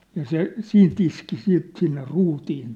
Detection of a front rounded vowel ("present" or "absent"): absent